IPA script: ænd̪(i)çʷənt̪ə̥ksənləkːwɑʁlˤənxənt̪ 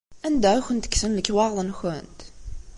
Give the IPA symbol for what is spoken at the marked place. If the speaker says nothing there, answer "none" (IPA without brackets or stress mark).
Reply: æ